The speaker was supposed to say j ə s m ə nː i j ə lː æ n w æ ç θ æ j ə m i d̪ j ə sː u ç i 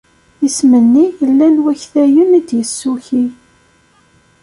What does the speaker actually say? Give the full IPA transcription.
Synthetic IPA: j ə s m ə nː i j ə lː æ n w æ ç θ æ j ə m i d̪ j ə sː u ç i